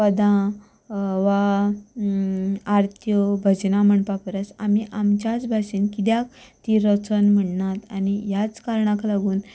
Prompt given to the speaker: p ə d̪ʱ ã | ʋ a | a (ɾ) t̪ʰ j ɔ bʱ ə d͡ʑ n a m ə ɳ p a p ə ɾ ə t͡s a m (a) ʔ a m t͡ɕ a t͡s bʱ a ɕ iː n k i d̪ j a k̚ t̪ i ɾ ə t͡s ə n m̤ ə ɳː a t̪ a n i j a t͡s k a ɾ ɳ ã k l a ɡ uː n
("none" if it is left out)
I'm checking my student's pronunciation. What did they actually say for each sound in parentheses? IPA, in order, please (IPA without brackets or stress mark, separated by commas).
ɾ, i